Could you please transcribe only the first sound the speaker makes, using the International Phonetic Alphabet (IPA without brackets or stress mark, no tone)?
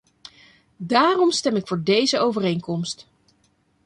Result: d